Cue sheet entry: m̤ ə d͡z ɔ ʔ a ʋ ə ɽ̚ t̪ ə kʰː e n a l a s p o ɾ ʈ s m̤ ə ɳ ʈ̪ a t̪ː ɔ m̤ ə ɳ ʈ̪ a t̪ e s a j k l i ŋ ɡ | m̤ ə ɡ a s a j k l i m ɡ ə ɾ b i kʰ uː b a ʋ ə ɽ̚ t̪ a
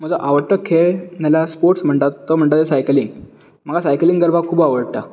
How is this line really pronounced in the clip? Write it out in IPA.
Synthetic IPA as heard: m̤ ə d͡z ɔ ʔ a ʋ ə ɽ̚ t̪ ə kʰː e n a l a s p o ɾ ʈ s m̤ ə ɳ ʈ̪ a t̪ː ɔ m̤ ə ɳ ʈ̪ a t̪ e s a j k l i ŋ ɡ | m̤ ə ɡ a s a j k l i ŋ ɡ ə ɾ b a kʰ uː b a ʋ ə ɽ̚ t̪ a

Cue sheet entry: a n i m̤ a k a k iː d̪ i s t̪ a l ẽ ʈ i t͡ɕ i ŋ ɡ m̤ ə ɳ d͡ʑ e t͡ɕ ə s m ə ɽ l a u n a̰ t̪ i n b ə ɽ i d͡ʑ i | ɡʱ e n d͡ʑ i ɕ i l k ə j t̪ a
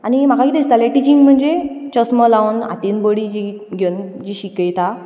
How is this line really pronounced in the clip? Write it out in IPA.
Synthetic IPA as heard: a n i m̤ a k a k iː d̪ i s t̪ a l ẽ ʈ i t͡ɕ i ŋ ɡ m̤ ə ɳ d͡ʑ e t͡ɕ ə s m ə l a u n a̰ t̪ i n b ə ɽ i d͡ʑ i | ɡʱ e n d͡ʑ i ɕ i k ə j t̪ a

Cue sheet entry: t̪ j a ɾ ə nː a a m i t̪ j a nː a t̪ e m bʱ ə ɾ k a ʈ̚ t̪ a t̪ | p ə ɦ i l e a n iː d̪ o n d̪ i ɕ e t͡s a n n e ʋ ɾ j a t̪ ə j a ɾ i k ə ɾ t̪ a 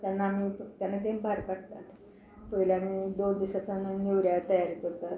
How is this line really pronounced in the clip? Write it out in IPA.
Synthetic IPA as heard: t̪ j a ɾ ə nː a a m i t̪ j a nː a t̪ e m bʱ a ɾ k a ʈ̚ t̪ a t̪ | p ə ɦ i l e a m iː d̪ o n d̪ i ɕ a t͡s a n n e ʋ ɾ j a t̪ ə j a ɾ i k ə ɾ t̪ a

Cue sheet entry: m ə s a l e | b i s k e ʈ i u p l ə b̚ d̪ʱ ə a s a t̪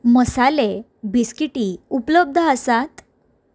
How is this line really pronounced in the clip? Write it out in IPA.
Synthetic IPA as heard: m ə s a l e | b i s k i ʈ i u p l ə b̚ d̪ʱ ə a s a t̪

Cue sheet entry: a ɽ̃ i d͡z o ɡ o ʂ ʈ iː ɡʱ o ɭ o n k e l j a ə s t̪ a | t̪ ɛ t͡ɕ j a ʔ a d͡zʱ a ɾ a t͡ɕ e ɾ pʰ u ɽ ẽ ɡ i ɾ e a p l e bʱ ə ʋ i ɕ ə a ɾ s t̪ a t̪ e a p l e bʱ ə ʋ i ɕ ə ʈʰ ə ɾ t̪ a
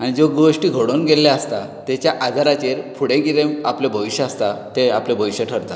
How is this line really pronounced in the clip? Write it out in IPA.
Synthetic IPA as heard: a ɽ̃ i d͡z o ɡ o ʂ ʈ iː ɡʱ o ɽ o n ɡ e l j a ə s t̪ a | t̪ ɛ t͡ɕ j a ʔ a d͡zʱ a ɾ a t͡ɕ e ɾ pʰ u ɽ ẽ ɡ i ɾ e a p l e bʱ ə ʋ i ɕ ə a s t̪ a t̪ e a p l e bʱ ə ʋ i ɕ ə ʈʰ ə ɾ t̪ a

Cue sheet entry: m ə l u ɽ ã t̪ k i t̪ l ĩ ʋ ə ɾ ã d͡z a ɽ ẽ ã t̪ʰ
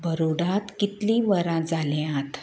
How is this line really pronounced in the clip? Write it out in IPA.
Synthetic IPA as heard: b ə ɾ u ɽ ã t̪ k i t̪ l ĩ ʋ ə ɾ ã d͡z a l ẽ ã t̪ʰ

